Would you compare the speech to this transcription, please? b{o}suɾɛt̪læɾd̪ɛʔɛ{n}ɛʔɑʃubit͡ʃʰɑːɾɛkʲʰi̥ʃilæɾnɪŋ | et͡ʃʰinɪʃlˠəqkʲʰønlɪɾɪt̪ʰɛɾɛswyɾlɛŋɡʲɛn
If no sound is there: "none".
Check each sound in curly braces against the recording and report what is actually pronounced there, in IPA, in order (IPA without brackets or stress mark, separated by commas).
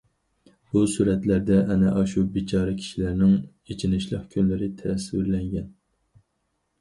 u, n